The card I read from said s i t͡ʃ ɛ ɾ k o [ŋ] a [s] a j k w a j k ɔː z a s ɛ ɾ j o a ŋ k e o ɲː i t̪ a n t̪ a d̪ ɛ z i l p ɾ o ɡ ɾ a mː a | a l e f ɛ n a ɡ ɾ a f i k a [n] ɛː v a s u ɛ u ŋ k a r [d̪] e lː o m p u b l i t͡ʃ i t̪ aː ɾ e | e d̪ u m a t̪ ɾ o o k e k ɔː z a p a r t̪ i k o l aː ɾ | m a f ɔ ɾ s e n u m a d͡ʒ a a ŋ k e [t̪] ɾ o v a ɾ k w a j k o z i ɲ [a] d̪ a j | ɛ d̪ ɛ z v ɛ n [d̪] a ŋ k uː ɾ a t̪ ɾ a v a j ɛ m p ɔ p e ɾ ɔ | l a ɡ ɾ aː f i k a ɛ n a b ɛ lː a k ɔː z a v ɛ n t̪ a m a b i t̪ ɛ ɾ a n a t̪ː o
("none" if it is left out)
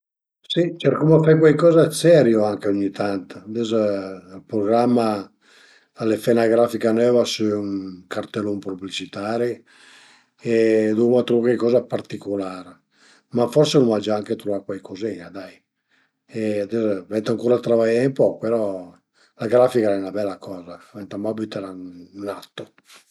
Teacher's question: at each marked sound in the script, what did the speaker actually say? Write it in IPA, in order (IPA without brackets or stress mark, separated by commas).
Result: m, f, n, t̪, t̪, a, t̪